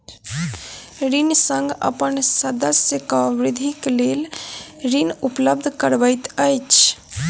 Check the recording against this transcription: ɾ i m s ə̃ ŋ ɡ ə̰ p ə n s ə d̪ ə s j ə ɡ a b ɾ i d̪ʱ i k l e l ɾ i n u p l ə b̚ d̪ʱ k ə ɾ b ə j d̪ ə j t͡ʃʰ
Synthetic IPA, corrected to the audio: ɾ i n s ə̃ ŋ ɡ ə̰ p ə n s ə d̪ ə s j ə k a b ɾ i d̪ʱ i k l e l ɾ i n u p l ə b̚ d̪ʱ k ə ɾ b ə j t̪ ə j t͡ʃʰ